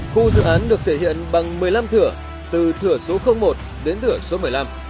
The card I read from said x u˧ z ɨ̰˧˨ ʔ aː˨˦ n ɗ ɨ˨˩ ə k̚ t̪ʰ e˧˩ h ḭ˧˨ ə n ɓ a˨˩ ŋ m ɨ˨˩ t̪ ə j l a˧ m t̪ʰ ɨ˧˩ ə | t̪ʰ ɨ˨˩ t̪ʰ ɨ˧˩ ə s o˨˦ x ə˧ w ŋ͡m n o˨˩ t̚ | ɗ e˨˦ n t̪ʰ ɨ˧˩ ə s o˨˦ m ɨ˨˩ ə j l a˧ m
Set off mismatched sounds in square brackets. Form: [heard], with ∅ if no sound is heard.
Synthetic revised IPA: x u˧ z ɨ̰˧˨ ʔ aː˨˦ n ɗ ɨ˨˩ ə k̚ t̪ʰ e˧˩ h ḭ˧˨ ə n ɓ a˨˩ ŋ m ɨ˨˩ [∅] ə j l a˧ m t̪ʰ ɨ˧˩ ə | [t̪] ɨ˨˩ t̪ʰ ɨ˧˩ ə s o˨˦ x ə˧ w ŋ͡m [m] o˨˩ t̚ | ɗ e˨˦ n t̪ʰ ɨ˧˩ ə s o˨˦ m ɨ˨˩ ə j l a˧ m